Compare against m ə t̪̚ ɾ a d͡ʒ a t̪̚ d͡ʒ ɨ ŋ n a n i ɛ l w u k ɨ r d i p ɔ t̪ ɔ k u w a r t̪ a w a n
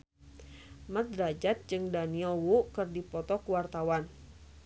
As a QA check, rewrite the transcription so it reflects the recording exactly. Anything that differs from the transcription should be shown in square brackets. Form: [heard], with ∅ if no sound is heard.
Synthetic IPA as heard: m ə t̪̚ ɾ a d͡ʒ a t̪̚ d͡ʒ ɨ ŋ [d] a n i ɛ l w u k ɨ r d i p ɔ t̪ ɔ k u w a r t̪ a w a n